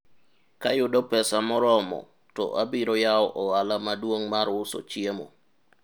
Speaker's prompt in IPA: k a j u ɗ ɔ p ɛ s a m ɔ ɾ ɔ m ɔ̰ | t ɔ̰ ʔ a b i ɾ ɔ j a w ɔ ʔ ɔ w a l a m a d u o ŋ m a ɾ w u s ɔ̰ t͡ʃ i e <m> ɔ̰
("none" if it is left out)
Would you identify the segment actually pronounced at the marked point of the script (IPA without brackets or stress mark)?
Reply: m